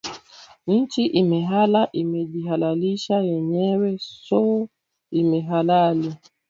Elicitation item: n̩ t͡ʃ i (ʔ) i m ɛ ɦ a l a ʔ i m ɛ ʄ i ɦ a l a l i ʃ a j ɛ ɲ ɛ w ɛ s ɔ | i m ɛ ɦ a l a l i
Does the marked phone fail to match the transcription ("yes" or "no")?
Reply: no